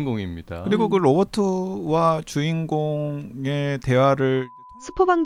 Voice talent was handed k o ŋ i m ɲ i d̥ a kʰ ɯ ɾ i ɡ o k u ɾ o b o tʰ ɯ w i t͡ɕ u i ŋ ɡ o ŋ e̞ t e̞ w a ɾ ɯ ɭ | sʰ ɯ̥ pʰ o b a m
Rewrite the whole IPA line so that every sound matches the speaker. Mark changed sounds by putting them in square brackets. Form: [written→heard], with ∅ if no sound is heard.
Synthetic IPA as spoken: [k→ɡ] o ŋ i m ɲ i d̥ a [kʰ→k] ɯ ɾ i ɡ o k [u→ɯ] ɾ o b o tʰ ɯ w [i→a] t͡ɕ u i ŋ ɡ o ŋ e̞ t e̞ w a ɾ ɯ ɭ | sʰ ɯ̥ pʰ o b a [m→ŋ]